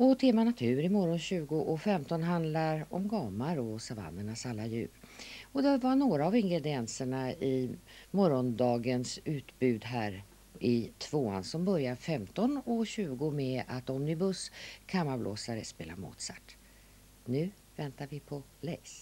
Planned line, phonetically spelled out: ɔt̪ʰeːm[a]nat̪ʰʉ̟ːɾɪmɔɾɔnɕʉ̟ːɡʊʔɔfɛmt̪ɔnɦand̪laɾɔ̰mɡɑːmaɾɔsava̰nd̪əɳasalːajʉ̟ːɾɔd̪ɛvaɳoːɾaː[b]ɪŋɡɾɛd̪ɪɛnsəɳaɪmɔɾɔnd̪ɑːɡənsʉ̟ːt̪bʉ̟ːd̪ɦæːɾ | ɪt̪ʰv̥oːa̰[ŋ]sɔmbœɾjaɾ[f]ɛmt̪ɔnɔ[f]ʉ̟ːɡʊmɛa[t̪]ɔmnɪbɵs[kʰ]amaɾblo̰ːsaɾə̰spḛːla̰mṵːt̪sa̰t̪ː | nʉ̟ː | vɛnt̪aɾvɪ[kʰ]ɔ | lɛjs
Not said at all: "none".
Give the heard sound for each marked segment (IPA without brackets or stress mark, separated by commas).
a, v, n, f, ɕ, t̪, kʰ, pʰ